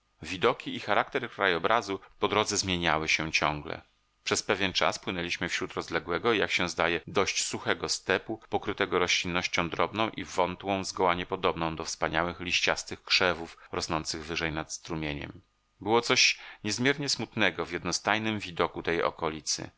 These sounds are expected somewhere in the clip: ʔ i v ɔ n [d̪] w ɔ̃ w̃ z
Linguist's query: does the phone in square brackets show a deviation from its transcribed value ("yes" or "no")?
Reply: yes